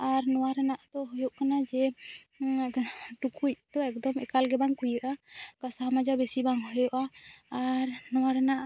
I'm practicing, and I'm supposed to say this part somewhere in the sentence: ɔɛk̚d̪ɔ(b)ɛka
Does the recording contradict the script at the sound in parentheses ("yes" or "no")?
yes